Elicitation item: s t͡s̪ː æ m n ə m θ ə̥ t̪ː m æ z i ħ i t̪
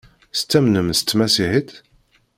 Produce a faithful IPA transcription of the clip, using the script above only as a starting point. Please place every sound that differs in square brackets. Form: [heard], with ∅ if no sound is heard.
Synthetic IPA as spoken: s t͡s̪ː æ m n ə m [s] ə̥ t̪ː m æ [s] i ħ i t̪

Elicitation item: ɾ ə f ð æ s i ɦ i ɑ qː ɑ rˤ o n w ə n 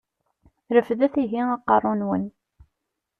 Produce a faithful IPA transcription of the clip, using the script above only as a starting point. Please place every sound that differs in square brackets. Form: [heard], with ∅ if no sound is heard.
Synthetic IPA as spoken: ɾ ə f ð æ [θ] i ɦ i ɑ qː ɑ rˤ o n w ə n

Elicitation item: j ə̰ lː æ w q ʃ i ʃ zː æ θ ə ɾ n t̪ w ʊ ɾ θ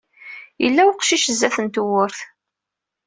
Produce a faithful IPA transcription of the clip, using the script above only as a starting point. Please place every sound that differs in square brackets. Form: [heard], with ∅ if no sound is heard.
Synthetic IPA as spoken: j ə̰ lː æ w q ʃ i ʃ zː æ θ ə [∅] n t̪ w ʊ ɾ θ

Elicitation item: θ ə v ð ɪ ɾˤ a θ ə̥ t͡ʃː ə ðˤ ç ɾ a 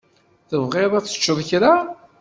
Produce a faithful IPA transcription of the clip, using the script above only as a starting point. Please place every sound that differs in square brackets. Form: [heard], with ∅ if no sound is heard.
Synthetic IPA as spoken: θ ə v [ʁ] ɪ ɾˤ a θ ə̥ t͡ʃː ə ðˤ ç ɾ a

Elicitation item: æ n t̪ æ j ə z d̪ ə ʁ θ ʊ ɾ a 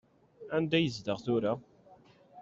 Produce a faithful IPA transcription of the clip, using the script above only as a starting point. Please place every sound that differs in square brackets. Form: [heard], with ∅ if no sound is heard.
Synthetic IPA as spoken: æ n [d̪] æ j ə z d̪ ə ʁ θ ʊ ɾ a

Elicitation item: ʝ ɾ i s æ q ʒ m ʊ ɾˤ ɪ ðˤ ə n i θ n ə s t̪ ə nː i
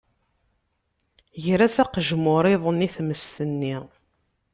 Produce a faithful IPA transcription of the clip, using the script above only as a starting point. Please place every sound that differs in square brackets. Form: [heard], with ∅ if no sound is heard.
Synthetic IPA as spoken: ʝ ɾ [æ] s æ q ʒ m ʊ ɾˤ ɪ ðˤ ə n i θ [m] ə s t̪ ə nː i

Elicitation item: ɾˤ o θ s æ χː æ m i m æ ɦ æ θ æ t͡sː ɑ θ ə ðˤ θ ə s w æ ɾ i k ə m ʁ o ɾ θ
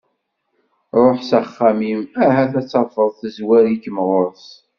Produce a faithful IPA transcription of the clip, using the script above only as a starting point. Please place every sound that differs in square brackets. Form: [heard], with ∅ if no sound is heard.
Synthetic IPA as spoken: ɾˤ o [ħ] s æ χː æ m i m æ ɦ æ θ æ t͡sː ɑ [f] ə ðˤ θ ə [z] w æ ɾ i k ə m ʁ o ɾ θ

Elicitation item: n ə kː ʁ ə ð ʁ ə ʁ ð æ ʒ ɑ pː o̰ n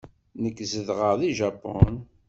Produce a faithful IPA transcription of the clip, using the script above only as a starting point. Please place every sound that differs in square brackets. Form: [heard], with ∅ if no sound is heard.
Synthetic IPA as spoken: n ə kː [z] ə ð ʁ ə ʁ ð [i] ʒ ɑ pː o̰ n

